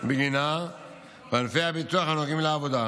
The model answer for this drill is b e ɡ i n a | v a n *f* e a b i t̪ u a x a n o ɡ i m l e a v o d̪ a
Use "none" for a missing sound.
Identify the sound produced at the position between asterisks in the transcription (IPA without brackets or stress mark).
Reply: f